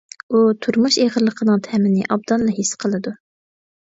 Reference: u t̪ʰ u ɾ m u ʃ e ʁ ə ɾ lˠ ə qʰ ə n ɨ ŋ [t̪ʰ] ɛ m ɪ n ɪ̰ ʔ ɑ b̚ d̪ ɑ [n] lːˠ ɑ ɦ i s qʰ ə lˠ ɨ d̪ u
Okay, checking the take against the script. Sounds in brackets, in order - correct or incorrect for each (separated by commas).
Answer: correct, correct